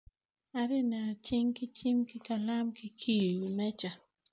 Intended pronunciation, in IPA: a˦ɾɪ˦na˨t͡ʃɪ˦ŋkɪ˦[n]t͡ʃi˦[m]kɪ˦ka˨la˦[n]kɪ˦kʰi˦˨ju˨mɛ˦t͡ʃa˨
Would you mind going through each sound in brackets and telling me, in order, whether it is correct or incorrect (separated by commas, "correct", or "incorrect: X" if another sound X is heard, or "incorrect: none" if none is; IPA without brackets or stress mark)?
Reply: incorrect: none, correct, incorrect: m